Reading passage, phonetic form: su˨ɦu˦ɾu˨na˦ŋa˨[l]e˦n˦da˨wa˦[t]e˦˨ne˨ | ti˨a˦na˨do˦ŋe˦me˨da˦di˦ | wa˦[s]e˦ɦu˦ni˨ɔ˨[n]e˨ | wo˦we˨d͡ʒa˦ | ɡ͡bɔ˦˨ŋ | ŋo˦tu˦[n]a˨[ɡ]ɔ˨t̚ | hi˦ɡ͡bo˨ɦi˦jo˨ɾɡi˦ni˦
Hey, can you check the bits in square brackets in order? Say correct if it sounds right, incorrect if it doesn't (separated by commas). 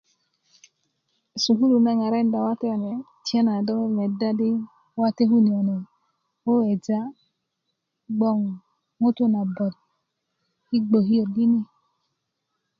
incorrect, correct, incorrect, correct, correct, incorrect